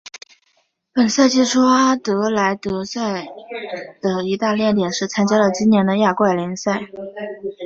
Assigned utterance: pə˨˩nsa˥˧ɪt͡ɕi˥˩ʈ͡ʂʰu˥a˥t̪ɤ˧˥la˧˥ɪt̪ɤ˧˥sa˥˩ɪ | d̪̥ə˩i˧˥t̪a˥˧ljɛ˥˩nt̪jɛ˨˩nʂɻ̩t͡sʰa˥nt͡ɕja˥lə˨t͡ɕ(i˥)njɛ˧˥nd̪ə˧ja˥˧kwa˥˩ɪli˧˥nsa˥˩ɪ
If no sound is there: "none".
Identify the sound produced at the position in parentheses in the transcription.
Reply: i˥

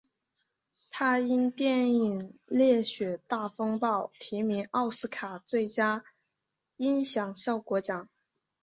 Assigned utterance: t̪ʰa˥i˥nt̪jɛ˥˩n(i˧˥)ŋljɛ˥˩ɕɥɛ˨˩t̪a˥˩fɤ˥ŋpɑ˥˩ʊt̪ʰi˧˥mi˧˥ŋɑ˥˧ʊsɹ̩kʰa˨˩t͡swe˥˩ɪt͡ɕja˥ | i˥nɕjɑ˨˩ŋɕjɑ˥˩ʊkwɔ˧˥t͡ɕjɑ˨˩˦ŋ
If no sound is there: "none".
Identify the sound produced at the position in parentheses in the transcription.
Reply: i˨˩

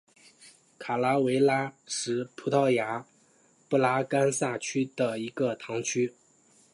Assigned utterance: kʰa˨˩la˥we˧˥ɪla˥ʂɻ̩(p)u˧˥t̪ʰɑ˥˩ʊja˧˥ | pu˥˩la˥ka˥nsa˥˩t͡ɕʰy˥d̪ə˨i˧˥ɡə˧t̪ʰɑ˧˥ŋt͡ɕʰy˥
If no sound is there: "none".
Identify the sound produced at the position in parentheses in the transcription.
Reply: pʰ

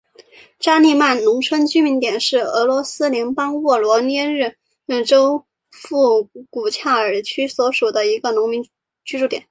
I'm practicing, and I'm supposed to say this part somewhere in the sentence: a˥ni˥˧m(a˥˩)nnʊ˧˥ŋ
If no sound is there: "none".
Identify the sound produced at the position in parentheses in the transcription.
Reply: a˥˩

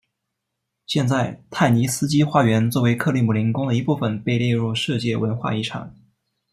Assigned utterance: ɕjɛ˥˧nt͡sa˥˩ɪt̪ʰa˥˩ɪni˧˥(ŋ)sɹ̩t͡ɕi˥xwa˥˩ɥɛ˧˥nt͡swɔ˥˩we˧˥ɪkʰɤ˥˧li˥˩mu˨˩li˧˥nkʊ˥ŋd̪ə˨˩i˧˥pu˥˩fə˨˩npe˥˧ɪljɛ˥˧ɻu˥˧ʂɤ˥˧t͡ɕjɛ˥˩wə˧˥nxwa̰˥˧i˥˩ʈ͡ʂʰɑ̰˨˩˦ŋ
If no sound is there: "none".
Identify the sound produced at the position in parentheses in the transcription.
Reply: none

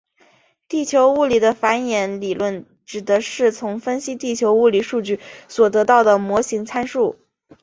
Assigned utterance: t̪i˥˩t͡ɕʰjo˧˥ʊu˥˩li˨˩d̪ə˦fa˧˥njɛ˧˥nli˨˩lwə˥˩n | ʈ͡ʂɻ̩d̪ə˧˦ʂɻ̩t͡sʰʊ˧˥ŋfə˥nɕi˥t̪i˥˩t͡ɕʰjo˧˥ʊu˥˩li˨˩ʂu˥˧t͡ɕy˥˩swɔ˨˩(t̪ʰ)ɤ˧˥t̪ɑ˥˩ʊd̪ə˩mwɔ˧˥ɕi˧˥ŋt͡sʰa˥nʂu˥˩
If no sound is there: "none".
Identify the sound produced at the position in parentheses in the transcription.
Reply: t̪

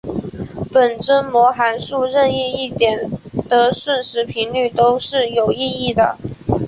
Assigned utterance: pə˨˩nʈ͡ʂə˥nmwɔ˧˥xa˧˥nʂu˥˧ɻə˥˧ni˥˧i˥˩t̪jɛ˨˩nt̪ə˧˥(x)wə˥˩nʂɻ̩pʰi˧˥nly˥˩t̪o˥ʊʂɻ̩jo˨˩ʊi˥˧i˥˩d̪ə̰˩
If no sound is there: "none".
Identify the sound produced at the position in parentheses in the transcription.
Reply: ʂ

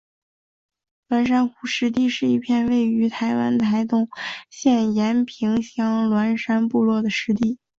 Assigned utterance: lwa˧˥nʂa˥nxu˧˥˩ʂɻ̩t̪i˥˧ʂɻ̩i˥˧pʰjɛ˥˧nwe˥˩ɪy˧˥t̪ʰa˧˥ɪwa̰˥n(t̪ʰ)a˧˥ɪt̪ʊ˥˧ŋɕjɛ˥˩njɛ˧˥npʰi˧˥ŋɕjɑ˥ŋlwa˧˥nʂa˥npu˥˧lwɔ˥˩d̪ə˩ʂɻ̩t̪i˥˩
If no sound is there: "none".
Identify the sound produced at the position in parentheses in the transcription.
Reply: t̪ʰ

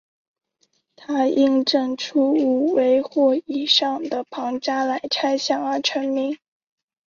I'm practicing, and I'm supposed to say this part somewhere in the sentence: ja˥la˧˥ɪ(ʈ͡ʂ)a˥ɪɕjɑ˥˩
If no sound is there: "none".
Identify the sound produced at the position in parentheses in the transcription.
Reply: ʈ͡ʂʰ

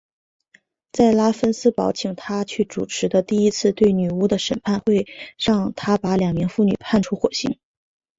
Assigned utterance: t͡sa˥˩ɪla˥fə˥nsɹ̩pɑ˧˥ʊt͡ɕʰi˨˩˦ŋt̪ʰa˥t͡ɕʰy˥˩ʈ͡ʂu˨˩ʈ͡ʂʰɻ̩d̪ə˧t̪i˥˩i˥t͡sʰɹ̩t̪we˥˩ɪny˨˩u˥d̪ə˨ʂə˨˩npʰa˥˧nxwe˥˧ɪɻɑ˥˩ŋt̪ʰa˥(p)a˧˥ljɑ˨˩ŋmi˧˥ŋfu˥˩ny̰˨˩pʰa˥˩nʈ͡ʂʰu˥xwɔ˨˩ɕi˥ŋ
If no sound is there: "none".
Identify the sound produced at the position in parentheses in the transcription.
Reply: p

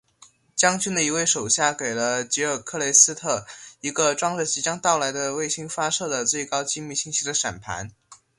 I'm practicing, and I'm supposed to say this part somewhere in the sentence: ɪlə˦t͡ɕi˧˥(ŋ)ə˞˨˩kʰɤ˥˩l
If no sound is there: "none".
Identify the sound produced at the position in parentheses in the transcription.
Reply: none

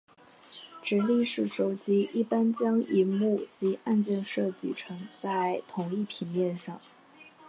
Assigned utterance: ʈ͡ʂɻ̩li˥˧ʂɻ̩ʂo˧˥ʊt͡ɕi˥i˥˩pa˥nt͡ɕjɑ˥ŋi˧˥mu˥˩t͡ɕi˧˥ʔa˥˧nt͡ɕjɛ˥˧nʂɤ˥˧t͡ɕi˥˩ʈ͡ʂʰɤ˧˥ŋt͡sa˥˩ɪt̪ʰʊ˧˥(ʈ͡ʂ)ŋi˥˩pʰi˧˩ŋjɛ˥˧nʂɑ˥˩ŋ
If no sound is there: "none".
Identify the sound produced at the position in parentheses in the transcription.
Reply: none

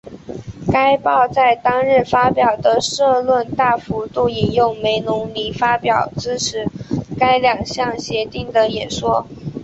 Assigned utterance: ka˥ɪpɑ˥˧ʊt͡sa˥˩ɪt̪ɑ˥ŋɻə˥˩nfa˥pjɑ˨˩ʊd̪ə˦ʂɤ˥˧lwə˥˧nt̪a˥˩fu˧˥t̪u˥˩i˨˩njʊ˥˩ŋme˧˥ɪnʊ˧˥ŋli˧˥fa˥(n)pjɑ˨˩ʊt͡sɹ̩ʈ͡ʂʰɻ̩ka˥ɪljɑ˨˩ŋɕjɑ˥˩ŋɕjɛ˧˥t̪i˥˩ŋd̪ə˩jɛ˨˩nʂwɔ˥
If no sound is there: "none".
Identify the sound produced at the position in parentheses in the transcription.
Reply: none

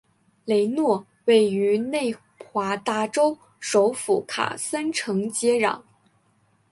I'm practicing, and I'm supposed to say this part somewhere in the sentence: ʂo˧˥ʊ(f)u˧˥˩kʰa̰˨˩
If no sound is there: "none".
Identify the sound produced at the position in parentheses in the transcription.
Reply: f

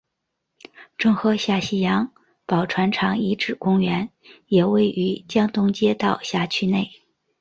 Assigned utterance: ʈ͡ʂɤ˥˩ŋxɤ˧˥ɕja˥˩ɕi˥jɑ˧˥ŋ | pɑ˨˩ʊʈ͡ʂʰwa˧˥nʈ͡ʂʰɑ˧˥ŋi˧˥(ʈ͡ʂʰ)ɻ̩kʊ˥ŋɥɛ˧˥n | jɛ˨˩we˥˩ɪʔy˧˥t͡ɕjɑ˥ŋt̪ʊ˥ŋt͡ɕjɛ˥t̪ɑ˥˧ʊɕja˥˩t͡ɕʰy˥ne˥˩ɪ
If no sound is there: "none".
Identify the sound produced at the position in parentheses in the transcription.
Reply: ʈ͡ʂ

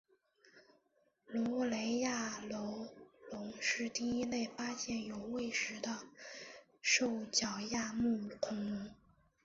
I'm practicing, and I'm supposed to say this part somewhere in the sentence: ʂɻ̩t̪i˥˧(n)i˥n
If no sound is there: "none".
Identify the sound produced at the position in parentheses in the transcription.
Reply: none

